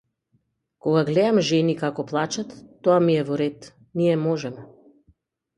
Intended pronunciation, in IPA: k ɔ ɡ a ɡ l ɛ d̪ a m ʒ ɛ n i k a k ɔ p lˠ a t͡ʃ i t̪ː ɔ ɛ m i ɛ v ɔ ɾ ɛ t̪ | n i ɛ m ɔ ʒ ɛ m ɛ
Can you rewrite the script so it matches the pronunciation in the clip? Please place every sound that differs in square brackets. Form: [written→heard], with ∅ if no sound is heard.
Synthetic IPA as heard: k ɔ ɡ a ɡ l ɛ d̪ a m ʒ ɛ n i k a k ɔ p lˠ a t͡ʃ [i→a] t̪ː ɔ [ɛ→a] m i ɛ v ɔ ɾ ɛ t̪ | n i ɛ m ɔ ʒ ɛ m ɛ